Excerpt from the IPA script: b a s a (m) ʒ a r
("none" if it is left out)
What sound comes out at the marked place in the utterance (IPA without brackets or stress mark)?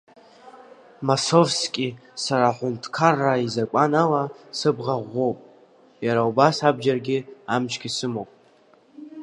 b